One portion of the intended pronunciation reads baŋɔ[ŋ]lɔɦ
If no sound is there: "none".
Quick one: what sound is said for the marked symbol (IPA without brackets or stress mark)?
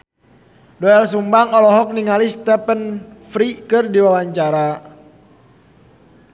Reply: none